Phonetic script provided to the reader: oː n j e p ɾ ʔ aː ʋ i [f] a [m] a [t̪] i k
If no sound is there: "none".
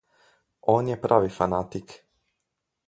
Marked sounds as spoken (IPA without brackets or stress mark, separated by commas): f, n, t̪